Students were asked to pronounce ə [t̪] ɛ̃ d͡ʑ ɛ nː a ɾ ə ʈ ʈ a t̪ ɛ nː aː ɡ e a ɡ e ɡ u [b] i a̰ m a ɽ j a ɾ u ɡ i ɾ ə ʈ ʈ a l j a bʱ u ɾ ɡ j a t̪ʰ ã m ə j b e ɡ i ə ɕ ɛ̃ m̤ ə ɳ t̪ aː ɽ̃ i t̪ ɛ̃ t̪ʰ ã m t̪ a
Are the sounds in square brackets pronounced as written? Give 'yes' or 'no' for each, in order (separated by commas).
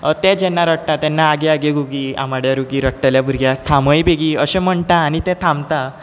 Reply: yes, no